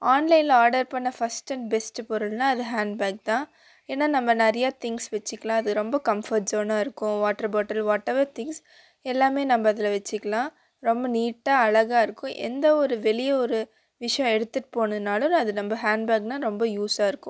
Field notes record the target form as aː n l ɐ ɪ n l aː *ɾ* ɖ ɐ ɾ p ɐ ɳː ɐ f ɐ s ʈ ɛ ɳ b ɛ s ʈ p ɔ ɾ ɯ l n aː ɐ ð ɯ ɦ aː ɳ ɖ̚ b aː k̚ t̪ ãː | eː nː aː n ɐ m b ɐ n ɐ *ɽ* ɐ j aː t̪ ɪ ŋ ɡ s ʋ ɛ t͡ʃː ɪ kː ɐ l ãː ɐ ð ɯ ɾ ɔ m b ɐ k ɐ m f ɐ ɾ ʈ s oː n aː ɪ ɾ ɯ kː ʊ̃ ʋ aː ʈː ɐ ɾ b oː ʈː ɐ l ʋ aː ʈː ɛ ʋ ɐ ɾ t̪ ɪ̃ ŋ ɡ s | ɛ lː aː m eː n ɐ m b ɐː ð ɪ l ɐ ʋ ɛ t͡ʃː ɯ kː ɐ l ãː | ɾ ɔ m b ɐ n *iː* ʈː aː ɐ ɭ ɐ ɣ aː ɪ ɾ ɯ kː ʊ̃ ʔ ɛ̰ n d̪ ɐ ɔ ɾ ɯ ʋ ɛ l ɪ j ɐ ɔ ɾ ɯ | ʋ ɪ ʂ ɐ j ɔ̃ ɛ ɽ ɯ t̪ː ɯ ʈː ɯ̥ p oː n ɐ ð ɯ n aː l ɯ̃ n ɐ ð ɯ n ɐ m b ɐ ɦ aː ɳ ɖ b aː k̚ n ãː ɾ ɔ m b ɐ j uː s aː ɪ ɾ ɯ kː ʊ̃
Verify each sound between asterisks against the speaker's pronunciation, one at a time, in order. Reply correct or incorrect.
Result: correct, incorrect, correct

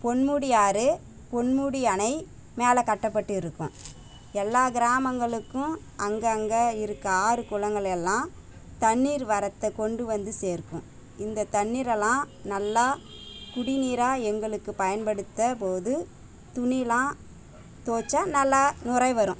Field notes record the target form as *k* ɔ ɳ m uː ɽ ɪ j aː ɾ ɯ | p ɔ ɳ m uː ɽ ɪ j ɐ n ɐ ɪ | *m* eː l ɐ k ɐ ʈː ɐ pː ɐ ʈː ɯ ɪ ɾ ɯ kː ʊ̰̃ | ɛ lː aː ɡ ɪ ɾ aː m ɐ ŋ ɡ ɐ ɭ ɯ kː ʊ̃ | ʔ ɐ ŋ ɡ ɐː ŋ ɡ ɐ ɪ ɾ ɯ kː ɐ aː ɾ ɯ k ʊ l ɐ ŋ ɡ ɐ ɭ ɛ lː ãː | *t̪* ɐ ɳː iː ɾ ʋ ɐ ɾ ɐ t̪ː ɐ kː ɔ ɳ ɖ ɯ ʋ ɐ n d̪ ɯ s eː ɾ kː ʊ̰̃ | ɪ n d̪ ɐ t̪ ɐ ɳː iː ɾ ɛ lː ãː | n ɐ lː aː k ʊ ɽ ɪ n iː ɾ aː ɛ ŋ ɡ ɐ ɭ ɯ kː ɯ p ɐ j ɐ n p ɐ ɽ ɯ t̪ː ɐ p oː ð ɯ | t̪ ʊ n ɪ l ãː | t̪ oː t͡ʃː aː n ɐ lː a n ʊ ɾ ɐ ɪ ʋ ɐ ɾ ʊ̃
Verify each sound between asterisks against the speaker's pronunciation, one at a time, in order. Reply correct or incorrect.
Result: incorrect, correct, correct

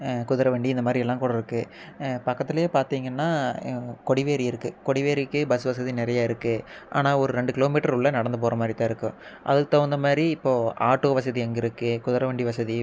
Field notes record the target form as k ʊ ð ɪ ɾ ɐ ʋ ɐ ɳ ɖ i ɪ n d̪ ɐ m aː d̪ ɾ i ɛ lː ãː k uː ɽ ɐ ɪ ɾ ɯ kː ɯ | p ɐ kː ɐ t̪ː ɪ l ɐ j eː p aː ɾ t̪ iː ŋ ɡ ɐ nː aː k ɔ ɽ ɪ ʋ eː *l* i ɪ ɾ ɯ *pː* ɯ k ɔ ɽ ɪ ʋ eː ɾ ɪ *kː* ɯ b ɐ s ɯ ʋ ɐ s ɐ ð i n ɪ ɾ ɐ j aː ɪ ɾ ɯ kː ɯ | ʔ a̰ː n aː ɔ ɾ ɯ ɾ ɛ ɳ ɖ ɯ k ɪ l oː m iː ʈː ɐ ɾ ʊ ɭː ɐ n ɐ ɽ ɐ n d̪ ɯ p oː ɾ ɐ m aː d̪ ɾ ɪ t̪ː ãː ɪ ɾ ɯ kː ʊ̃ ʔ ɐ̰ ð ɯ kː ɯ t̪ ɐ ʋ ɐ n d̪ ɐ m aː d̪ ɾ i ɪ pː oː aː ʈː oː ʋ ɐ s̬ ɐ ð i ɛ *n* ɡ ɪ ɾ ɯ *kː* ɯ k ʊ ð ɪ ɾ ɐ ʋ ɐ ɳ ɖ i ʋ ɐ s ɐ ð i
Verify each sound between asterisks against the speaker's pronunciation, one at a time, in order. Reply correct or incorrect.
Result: incorrect, incorrect, correct, incorrect, correct

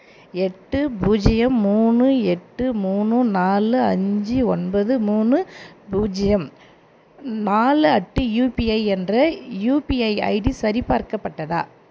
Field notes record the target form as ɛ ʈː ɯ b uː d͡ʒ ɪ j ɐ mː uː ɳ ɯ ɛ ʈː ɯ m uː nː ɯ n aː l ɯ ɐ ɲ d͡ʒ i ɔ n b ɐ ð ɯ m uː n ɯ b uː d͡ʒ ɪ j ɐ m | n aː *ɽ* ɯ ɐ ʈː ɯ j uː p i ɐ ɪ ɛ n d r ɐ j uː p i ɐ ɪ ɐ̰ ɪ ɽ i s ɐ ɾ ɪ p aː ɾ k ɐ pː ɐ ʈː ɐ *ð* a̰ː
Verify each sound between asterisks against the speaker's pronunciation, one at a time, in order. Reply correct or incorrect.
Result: incorrect, correct

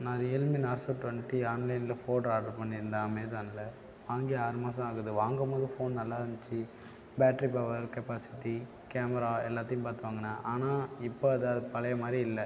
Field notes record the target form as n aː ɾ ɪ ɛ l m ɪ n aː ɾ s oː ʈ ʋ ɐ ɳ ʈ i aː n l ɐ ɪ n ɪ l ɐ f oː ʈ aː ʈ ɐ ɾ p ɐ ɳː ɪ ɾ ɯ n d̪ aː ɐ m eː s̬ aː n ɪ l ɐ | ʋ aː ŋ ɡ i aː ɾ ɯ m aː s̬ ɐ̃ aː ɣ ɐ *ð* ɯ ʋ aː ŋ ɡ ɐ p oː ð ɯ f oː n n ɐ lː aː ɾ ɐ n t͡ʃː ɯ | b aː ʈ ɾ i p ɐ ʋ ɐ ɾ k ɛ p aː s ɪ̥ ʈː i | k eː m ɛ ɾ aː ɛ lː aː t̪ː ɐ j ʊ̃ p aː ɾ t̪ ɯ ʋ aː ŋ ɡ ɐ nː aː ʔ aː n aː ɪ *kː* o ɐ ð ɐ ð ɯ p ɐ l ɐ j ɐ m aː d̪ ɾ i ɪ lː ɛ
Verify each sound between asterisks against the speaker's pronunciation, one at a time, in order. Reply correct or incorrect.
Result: correct, incorrect

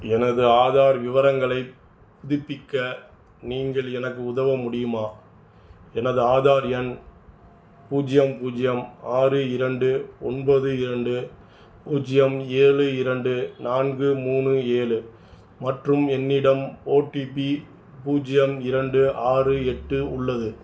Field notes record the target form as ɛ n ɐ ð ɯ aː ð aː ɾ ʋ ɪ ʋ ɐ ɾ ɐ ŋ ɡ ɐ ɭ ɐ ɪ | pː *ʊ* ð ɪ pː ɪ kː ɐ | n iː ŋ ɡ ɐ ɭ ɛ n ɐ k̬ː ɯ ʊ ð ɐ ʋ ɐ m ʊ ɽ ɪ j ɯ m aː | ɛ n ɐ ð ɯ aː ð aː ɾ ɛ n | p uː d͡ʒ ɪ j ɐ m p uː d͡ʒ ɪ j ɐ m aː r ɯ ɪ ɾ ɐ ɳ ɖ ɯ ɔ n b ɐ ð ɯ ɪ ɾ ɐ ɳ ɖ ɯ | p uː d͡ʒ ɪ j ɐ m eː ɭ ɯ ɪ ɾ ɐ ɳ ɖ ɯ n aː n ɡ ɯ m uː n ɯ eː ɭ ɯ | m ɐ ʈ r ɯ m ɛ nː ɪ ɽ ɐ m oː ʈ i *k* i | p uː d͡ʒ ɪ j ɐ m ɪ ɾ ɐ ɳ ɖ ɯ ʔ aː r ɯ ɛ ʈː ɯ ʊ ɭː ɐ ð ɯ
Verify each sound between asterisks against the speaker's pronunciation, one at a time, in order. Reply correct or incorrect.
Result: correct, incorrect

